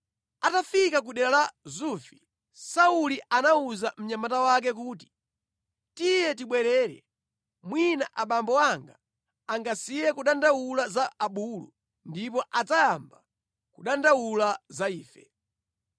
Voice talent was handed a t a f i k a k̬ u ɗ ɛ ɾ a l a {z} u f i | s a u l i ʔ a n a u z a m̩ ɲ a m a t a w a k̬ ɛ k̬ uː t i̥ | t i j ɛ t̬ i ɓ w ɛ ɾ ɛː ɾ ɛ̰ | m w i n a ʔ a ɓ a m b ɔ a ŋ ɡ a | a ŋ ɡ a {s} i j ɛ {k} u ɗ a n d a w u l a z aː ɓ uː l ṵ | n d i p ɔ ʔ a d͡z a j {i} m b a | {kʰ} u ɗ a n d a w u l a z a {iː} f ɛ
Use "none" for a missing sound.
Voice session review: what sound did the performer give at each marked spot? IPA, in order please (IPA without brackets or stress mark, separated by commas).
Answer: z, s, k, a, k, iː